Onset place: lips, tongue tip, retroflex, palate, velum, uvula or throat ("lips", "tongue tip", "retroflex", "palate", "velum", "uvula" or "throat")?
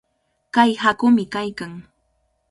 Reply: velum